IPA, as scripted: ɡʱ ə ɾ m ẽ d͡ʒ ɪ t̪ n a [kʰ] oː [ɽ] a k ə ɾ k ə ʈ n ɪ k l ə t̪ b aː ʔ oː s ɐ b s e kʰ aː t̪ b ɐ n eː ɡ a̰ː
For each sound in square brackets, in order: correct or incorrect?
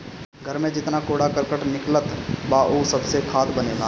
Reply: incorrect: k, correct

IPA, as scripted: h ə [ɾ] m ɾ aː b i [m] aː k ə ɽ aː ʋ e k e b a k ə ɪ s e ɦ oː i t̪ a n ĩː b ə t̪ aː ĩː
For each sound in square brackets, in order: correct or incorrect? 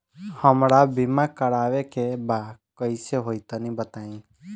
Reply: incorrect: none, correct

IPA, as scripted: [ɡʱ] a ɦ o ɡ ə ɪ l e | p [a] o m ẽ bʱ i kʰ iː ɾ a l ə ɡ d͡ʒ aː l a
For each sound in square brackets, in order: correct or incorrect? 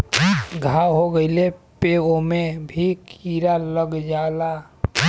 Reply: correct, incorrect: e

